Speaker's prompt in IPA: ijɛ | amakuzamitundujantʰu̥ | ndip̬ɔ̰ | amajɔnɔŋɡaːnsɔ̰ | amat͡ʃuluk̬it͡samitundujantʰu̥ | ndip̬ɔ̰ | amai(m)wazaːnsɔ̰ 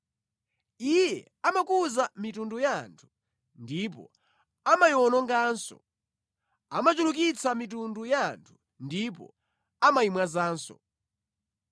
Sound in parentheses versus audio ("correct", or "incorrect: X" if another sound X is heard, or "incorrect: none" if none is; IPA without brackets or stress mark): correct